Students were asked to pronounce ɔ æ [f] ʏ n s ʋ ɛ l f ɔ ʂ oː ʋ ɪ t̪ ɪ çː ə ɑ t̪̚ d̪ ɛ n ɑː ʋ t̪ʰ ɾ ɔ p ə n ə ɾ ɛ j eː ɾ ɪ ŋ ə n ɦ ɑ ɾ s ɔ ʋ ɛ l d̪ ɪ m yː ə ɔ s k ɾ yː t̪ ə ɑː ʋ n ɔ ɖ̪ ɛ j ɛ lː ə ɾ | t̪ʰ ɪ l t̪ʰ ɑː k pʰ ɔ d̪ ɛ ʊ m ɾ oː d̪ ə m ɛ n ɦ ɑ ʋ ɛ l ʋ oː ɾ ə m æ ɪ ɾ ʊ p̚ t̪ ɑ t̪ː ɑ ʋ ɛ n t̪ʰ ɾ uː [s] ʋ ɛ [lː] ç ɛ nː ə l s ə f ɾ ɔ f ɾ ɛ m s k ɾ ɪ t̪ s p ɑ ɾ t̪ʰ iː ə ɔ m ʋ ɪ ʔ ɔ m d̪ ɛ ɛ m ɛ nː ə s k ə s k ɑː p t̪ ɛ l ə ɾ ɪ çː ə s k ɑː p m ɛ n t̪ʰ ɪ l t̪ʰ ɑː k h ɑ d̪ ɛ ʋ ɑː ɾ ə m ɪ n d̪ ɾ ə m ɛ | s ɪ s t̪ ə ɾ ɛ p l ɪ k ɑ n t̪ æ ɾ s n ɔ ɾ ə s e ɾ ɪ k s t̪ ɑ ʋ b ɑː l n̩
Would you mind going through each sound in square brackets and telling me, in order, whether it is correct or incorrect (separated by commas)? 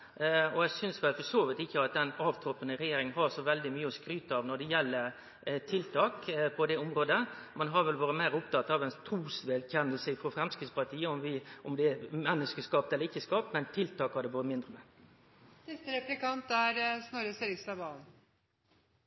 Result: incorrect, correct, incorrect